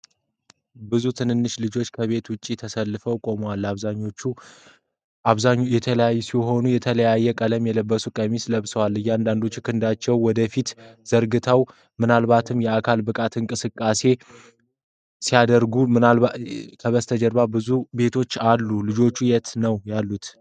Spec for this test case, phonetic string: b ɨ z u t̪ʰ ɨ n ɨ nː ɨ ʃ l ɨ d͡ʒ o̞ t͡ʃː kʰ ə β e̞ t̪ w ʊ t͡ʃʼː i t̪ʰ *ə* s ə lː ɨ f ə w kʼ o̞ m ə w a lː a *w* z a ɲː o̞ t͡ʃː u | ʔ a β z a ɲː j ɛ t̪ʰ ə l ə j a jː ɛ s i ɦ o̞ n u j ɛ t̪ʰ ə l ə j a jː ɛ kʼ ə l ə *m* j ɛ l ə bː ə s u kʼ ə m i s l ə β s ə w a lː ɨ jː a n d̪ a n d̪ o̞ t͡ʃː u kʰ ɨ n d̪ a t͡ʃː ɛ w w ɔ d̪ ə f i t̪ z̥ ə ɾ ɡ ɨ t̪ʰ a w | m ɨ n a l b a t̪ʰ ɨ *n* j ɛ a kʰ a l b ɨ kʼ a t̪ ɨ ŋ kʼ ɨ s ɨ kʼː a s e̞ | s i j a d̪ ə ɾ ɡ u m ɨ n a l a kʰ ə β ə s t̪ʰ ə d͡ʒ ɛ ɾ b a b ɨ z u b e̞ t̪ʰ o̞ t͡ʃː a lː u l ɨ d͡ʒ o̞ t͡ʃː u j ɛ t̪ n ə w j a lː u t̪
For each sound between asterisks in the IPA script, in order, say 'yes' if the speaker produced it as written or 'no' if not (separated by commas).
yes, no, yes, no